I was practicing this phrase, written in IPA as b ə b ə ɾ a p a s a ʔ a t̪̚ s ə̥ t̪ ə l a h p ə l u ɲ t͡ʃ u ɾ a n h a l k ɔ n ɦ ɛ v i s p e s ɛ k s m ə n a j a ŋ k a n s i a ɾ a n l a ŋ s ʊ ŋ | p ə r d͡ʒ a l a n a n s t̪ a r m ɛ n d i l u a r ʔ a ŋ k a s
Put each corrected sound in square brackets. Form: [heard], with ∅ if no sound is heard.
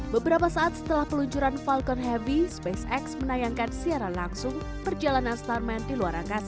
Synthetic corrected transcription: b ə b ə ɾ a p a s a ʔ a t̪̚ s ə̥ t̪ ə l a h p ə l u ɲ t͡ʃ u ɾ a n [f] a l k ɔ n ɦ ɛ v i s p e s ɛ k s m ə n a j a ŋ k a n s i a ɾ a n l a ŋ s ʊ ŋ | p ə r d͡ʒ a l a n a n s t̪ a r m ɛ n d i l u a [ɾ] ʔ a ŋ k a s